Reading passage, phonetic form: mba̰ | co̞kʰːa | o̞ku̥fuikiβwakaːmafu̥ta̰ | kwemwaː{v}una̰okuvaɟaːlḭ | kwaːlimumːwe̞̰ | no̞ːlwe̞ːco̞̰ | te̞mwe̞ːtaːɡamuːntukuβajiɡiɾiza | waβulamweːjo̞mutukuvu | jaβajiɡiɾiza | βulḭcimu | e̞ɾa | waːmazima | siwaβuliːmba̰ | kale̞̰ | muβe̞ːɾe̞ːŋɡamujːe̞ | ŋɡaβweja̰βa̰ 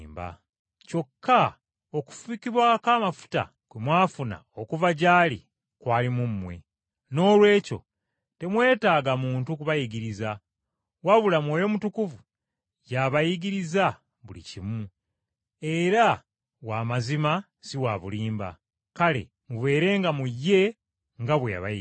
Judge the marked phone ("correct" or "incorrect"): incorrect